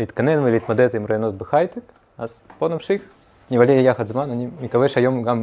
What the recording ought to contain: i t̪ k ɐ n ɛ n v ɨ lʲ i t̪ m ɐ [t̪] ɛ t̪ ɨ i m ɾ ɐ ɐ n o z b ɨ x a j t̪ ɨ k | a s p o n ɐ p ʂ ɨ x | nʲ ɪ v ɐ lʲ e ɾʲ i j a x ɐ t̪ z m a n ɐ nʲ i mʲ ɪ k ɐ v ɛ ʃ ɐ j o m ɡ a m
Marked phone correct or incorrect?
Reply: incorrect: d̪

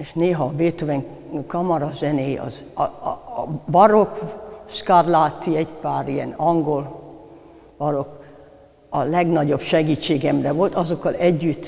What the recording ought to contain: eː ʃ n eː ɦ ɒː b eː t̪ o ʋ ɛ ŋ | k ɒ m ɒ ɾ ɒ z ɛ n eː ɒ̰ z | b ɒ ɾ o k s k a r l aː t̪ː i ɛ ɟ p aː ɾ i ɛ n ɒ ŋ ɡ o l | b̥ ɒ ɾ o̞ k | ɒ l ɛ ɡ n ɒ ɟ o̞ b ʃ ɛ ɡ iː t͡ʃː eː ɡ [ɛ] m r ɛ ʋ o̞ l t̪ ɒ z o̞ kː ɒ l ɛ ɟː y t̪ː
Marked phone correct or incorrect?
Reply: correct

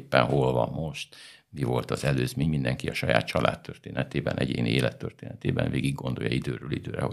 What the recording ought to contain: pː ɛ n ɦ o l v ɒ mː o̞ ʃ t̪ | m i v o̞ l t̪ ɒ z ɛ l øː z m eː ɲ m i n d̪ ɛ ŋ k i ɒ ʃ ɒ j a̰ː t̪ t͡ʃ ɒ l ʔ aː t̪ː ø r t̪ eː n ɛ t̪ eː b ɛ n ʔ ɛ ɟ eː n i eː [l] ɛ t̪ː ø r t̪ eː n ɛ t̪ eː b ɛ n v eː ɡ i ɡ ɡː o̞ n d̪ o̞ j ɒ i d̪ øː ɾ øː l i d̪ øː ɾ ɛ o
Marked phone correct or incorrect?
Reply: correct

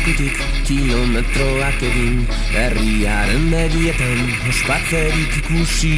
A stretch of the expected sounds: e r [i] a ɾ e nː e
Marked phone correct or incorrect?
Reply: correct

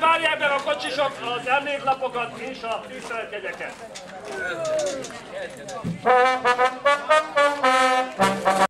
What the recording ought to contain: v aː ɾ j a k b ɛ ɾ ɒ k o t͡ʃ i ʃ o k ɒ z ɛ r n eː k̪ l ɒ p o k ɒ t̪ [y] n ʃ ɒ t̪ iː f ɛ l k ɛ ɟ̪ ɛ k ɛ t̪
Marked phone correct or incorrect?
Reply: incorrect: i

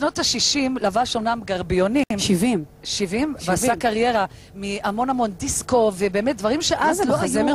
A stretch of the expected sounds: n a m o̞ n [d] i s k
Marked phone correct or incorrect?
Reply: correct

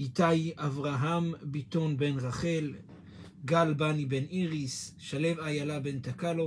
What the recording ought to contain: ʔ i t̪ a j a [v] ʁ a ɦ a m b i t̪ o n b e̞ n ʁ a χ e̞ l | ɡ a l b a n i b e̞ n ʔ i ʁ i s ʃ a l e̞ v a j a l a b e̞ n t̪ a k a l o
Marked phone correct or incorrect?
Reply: correct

